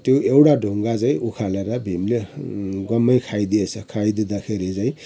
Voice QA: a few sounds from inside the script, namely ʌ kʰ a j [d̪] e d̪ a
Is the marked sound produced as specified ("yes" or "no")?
yes